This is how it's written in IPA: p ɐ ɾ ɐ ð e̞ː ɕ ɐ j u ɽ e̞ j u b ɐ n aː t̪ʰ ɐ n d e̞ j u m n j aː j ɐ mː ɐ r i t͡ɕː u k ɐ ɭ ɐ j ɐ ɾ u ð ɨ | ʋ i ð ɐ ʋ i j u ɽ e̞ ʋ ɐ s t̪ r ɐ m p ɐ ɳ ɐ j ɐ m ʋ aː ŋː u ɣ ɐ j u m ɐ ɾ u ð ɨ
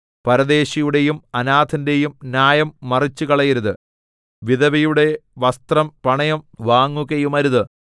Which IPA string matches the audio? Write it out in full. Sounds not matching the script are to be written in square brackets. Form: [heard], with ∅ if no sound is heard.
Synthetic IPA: p ɐ ɾ ɐ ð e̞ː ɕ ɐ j u ɽ e̞ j u [m] ɐ n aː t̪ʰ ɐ n d e̞ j u m n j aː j ɐ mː ɐ r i t͡ɕː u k ɐ ɭ ɐ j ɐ ɾ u ð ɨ | ʋ i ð ɐ ʋ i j u ɽ e̞ ʋ ɐ s t̪ r ɐ m p ɐ ɳ ɐ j ɐ m ʋ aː ŋː u ɣ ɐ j u m ɐ ɾ u ð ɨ